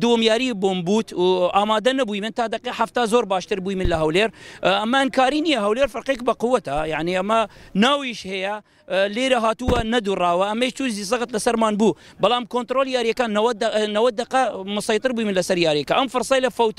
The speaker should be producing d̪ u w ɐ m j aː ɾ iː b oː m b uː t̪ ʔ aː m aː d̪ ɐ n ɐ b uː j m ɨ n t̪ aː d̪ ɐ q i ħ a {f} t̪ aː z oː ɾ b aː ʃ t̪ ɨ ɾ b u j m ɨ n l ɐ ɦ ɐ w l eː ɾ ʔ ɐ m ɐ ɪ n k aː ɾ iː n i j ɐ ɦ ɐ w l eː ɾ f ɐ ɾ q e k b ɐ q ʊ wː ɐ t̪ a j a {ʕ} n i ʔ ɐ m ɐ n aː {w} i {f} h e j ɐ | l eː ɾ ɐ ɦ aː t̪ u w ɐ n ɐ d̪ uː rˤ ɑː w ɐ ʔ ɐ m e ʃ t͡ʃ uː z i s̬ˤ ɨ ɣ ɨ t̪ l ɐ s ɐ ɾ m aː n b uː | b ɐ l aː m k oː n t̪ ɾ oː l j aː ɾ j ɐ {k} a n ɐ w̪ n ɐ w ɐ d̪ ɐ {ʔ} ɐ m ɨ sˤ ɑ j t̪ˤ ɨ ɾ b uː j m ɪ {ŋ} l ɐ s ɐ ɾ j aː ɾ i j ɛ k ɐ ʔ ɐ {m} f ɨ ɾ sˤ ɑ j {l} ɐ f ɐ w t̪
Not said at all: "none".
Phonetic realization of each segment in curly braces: f, ʕ, w, ʃ, k, q, n, m, l

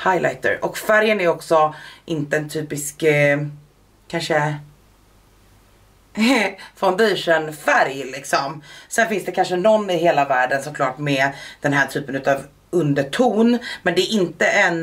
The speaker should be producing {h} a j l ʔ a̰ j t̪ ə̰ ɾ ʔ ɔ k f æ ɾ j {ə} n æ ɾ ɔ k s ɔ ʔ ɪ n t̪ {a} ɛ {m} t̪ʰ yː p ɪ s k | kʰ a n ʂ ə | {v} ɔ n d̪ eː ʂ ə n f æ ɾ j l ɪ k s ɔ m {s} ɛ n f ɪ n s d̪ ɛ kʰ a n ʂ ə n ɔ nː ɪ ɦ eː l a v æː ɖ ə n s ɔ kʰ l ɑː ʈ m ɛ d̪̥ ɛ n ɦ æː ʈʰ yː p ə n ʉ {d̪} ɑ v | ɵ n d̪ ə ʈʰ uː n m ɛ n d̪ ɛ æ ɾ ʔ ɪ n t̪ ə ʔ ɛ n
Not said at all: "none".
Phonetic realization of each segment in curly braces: h, ə, ə, n, f, s, t̪

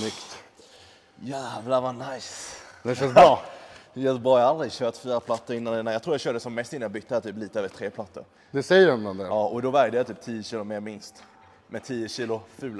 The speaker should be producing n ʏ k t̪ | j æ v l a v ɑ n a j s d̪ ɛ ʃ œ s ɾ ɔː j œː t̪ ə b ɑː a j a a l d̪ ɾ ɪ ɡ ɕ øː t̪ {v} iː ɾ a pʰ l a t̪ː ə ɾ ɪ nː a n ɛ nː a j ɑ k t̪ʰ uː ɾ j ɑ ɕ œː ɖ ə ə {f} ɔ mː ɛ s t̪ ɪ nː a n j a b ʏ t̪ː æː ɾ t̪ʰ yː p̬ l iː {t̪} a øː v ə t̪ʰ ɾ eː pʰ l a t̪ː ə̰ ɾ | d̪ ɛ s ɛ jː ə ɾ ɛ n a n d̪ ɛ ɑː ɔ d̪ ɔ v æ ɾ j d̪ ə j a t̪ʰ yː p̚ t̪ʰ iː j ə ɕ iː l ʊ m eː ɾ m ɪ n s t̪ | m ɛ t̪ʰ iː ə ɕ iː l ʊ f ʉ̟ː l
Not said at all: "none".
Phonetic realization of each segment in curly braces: f, s, t̪

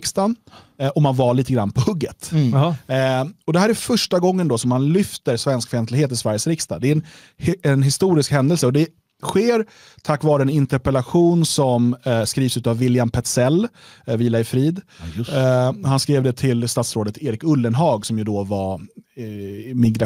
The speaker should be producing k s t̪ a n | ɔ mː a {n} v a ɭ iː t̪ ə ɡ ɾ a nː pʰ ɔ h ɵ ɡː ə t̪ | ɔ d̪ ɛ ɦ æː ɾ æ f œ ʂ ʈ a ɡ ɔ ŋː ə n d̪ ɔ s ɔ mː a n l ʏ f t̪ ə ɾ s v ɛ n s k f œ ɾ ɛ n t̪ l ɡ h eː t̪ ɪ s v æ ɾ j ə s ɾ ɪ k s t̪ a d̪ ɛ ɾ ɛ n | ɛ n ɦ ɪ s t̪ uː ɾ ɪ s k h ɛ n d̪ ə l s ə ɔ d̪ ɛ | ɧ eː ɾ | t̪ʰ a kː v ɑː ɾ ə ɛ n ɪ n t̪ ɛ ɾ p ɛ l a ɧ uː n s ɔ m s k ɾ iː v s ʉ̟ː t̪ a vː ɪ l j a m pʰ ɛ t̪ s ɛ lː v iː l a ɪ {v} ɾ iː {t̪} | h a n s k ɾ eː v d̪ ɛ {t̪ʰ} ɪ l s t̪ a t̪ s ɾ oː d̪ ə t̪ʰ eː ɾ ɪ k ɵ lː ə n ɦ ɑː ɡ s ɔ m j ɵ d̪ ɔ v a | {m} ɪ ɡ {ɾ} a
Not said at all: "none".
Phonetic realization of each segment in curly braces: n, f, d̪, t̪ʰ, m, ɾ

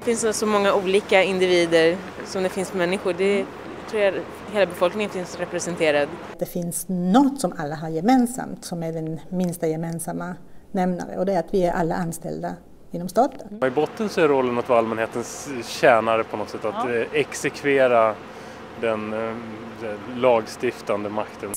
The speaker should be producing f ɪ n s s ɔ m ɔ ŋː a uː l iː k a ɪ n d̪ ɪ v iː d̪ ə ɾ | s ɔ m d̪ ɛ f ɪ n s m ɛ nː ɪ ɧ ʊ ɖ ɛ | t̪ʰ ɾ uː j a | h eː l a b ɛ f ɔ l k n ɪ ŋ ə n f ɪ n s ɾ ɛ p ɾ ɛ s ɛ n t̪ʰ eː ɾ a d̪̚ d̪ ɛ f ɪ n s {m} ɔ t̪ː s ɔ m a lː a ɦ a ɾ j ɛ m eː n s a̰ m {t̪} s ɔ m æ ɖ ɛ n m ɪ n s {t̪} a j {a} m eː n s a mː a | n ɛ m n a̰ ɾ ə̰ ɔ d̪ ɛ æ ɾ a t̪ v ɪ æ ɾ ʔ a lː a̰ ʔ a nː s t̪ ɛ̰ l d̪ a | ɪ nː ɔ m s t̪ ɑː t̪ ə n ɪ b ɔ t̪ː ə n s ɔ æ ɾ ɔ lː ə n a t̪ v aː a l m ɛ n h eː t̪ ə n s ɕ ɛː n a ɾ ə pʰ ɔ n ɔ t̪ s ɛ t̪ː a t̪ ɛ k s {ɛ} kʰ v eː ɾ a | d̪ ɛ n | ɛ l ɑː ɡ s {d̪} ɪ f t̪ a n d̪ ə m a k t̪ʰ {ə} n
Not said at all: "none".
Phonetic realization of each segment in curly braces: n, t̪, t̪, ɛ, ɛ, t̪, ə

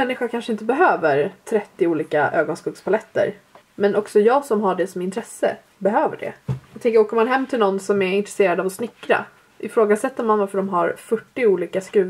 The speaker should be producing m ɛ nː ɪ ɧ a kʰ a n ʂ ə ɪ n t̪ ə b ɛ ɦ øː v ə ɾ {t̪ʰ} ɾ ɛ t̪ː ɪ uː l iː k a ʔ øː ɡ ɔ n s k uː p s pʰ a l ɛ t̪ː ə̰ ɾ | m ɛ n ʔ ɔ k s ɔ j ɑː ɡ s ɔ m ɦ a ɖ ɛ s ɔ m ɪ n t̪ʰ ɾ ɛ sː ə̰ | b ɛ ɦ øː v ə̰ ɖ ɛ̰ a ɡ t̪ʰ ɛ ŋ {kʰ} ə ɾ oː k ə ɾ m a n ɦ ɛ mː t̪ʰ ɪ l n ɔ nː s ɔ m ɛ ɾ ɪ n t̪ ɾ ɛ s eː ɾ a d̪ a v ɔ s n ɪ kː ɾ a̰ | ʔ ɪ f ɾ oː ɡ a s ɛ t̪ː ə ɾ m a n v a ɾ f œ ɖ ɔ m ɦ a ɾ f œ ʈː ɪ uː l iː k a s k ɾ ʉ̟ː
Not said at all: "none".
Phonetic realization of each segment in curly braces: t̪ʰ, k

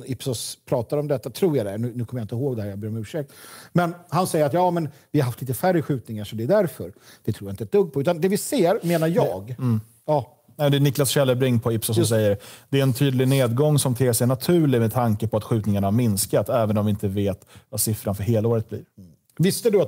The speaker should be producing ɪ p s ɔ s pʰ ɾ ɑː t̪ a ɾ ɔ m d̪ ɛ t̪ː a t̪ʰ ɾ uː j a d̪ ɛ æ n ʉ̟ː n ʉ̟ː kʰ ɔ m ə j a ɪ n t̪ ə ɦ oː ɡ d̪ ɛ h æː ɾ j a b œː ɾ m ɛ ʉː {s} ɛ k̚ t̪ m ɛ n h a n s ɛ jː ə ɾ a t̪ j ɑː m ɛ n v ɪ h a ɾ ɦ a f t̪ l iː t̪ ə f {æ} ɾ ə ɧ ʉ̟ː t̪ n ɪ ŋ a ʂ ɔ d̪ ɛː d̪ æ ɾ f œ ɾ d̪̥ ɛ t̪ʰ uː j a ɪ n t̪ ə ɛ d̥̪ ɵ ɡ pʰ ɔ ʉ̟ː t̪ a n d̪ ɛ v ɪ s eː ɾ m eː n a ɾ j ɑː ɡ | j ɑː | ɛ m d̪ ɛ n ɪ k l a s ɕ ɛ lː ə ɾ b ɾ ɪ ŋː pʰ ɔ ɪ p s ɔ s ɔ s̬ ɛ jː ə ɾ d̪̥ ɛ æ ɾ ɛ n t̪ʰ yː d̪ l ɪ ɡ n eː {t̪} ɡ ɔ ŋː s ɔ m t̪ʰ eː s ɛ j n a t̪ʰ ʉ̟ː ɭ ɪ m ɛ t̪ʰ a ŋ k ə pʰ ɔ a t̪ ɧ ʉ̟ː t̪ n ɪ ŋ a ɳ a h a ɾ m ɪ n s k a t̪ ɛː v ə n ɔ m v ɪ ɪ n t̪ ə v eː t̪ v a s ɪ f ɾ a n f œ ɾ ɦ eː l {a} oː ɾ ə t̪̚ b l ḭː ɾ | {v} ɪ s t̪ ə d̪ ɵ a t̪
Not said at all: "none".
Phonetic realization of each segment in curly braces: ʂ, æ, d̪, a, v

